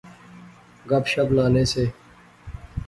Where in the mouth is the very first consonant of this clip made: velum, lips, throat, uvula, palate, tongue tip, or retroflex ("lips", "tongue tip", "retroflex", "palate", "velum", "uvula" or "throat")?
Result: velum